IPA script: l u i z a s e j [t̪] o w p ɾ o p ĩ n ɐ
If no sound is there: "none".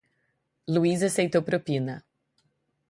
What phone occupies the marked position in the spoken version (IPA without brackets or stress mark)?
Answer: t̪